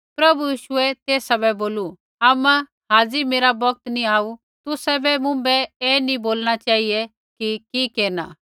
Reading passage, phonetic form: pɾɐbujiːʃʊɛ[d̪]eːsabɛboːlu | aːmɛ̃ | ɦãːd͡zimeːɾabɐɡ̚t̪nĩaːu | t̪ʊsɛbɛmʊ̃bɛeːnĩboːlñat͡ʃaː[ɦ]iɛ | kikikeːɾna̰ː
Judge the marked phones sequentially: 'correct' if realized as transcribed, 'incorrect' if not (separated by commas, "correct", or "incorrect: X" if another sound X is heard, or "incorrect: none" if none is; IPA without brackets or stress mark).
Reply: incorrect: t̪, correct